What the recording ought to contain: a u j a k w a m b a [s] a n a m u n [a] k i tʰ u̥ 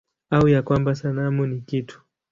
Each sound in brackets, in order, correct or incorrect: correct, incorrect

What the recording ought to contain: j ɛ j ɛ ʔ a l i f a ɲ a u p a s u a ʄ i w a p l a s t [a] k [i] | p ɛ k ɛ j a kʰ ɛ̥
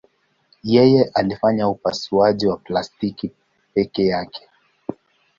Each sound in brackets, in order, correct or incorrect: incorrect, correct

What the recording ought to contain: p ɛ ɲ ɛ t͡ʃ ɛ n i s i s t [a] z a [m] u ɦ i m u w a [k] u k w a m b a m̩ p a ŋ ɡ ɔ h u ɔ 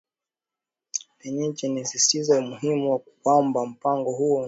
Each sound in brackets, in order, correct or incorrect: incorrect, correct, correct

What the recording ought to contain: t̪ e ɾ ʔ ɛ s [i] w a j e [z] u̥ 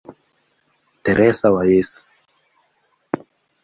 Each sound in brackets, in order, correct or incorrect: incorrect, incorrect

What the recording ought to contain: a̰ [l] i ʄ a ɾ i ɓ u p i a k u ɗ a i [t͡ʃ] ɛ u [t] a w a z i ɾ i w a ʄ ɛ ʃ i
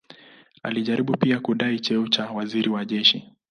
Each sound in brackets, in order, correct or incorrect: correct, correct, incorrect

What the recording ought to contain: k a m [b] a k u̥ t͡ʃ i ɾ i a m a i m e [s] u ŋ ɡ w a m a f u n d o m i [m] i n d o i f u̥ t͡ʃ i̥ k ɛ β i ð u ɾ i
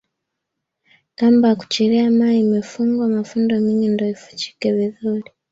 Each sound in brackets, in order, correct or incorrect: correct, incorrect, incorrect

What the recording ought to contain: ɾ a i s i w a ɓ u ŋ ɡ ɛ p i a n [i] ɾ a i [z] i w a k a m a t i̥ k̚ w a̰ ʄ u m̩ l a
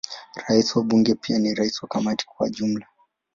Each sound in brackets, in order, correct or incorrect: correct, incorrect

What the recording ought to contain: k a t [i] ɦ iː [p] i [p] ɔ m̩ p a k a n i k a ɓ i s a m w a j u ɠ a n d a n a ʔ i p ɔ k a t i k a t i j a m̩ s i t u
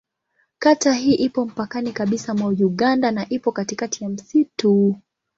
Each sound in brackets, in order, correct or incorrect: incorrect, incorrect, correct

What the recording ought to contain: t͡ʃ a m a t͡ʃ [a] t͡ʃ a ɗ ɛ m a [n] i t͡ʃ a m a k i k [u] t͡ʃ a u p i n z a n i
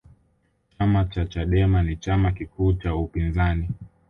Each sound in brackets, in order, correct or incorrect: correct, correct, incorrect

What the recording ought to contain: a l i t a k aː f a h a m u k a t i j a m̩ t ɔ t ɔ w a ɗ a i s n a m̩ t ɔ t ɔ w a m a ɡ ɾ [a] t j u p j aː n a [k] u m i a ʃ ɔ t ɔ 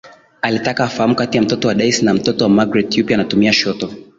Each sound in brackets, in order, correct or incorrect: incorrect, incorrect

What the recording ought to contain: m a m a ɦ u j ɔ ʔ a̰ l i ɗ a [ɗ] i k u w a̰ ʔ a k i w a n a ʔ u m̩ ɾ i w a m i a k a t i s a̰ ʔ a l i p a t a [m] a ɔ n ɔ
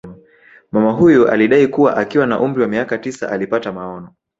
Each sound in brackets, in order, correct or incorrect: incorrect, correct

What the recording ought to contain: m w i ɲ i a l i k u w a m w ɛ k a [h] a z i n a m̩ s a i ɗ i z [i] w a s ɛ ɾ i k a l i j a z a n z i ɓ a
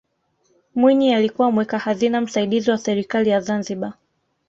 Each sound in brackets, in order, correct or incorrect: correct, correct

